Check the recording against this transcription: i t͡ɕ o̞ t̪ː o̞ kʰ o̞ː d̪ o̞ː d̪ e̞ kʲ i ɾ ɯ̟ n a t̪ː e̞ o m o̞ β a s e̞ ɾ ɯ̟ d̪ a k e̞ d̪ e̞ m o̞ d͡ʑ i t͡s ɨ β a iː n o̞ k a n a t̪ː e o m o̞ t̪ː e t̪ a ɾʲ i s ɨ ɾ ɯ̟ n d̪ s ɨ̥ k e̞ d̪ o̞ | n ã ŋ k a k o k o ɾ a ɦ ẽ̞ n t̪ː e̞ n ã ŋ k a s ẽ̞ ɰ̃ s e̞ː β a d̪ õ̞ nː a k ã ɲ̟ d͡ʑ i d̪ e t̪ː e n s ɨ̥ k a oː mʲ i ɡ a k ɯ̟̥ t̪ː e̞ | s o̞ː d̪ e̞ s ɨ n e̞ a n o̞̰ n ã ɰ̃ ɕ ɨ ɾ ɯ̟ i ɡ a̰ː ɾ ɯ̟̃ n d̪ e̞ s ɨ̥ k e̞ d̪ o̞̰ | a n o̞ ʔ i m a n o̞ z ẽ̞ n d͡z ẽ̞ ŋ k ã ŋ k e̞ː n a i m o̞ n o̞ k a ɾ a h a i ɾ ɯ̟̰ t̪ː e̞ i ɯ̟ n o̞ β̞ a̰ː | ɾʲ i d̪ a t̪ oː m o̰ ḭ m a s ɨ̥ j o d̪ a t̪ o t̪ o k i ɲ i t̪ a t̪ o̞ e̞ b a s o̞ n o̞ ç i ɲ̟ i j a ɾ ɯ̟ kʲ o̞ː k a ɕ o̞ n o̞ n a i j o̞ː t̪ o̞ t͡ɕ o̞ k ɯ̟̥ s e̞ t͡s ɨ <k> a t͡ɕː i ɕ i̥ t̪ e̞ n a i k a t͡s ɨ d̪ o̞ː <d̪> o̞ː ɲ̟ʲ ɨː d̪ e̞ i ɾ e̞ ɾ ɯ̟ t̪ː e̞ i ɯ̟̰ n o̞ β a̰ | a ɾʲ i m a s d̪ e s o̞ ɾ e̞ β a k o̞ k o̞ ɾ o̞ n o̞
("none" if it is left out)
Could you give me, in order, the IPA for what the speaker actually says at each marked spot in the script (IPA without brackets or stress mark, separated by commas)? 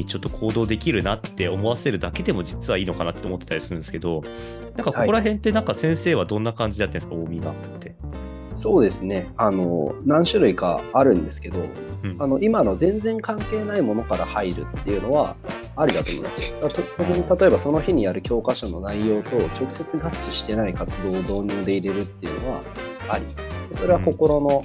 ɡ, d̪